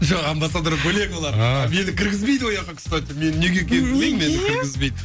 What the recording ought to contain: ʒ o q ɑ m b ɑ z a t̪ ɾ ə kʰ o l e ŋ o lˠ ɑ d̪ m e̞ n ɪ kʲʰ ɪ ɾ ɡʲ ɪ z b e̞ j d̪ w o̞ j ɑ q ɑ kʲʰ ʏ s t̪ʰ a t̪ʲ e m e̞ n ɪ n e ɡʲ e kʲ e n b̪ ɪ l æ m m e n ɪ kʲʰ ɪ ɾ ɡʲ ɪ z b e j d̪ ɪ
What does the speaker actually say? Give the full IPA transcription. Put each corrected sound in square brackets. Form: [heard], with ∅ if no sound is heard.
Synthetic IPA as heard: ʒ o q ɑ m b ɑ [s] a [d̪] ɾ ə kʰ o l e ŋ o lˠ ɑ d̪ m e̞ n ɪ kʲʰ ɪ ɾ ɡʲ ɪ z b e̞ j d̪ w o̞ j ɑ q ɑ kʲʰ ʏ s [t̪] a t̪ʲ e m e̞ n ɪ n e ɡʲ e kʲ e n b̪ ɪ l [e] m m e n ɪ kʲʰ ɪ ɾ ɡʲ ɪ z b e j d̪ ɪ

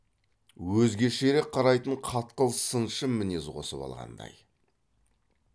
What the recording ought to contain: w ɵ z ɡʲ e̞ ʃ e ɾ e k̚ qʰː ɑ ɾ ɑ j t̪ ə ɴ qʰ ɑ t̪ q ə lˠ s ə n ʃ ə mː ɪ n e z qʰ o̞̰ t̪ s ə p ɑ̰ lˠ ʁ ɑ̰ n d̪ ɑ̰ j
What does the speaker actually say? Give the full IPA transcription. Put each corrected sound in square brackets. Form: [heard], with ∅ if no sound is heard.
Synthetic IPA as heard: w ɵ z ɡʲ e̞ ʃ e ɾ e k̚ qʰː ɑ ɾ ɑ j t̪ ə ɴ qʰ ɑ t̪ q ə lˠ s ə n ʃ ə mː ɪ n e z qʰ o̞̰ [∅] s ə p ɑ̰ lˠ ʁ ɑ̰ n d̪ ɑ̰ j

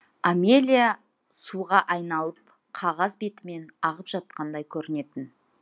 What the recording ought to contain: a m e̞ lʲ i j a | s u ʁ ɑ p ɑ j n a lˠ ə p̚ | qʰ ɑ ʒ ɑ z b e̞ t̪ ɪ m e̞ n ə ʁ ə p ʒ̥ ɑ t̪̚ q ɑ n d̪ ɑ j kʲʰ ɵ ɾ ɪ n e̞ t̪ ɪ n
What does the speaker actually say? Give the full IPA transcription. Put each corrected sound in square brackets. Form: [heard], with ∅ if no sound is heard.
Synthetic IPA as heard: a m e̞ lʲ i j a | s u ʁ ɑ [ʔ] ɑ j n [ɑ] lˠ ə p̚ | qʰ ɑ [ʁ] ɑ z b e̞ t̪ ɪ m e̞ n [ɑ] ʁ ə p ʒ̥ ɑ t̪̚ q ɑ n d̪ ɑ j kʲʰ ɵ ɾ ɪ n e̞ t̪ ɪ n

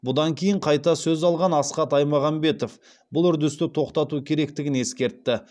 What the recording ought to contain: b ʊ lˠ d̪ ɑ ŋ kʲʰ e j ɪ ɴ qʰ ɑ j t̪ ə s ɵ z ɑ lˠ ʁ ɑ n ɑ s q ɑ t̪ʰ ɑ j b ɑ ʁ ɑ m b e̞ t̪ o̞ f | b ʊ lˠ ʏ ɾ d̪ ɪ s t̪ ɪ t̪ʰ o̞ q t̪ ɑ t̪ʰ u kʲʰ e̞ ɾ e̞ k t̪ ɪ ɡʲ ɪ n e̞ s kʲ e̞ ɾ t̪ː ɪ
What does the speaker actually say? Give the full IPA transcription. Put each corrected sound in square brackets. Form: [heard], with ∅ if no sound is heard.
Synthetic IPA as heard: b ʊ [∅] d̪ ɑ ŋ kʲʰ e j ɪ ɴ qʰ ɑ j t̪ [ɑ] s ɵ z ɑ lˠ ʁ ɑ n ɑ s q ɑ [t̪] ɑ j [m] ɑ ʁ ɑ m b e̞ t̪ o̞ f | b ʊ lˠ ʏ ɾ d̪ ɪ s t̪ ɪ t̪ʰ o̞ q t̪ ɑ [t̪] u kʲʰ e̞ ɾ e̞ k t̪ ɪ ɡʲ ɪ n e̞ s kʲ e̞ ɾ t̪ː ɪ

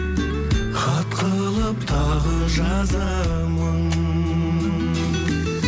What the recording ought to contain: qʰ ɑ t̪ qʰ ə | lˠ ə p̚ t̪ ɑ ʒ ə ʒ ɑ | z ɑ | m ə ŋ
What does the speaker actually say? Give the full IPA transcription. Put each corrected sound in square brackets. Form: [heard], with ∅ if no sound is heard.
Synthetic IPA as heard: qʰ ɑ t̪ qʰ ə | lˠ ə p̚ [t̪ʰ] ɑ [ʁ] ə ʒ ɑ | z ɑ | m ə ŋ

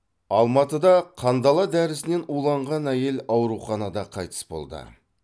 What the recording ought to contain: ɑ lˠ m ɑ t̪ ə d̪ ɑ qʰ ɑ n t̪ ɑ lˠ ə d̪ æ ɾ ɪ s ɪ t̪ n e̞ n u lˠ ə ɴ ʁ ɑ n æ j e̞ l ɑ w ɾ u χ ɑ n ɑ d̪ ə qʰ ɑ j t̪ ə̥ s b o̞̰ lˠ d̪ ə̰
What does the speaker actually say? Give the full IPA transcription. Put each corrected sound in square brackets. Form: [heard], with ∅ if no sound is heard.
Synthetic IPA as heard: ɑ lˠ m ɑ t̪ ə d̪ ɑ qʰ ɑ n [d̪] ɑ lˠ [ɑ] d̪ æ ɾ ɪ s ɪ [∅] n e̞ n u lˠ [ɑ] ɴ ʁ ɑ n æ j e̞ l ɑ w ɾ u χ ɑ n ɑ d̪ [ɑ] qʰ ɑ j t̪ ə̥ s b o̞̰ lˠ d̪ ə̰

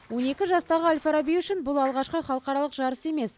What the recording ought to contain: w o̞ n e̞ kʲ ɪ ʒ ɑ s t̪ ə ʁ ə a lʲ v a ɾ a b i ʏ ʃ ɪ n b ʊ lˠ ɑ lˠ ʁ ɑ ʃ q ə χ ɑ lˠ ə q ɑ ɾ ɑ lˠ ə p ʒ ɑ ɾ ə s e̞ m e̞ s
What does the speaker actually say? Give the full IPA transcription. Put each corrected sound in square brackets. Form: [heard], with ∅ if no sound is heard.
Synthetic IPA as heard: w o̞ n e̞ kʲ ɪ ʒ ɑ s t̪ [ɑ] ʁ ə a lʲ [f] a ɾ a b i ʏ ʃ ɪ n b ʊ lˠ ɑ lˠ ʁ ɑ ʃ q ə χ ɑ lˠ ə q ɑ ɾ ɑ lˠ ə [q] ʒ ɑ ɾ ə s e̞ m e̞ s

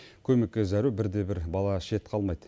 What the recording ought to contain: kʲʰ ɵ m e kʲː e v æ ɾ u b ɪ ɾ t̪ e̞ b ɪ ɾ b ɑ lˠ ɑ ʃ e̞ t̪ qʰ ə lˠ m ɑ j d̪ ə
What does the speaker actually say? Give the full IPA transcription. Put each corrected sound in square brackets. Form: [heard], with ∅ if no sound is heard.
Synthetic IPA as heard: kʲʰ ɵ m e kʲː e [z] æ ɾ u b ɪ ɾ [d̪] e̞ b ɪ ɾ b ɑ lˠ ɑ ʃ e̞ t̪ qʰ [ɑ] lˠ m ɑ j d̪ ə

